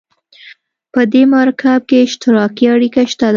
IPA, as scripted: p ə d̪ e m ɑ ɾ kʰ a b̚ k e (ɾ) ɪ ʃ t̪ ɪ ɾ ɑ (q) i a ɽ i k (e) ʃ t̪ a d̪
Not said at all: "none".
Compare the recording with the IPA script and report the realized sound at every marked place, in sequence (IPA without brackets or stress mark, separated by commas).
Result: none, k, a